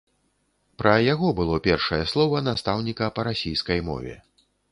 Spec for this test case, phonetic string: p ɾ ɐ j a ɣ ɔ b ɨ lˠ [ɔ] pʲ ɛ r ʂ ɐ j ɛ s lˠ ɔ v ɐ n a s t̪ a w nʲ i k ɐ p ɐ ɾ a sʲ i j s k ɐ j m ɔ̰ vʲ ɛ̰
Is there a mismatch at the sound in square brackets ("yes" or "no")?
no